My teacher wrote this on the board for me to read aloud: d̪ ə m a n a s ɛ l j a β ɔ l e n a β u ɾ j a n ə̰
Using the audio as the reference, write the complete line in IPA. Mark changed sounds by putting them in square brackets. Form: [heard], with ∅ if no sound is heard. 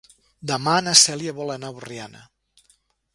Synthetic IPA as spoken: d̪ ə m a n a s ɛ l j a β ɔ l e n a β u [r] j a n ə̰